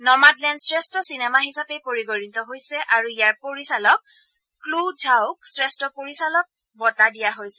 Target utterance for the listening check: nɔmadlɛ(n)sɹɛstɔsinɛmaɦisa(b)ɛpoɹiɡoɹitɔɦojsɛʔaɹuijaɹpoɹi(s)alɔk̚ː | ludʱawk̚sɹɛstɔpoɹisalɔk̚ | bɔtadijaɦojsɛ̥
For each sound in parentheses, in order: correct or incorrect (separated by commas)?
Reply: correct, incorrect, correct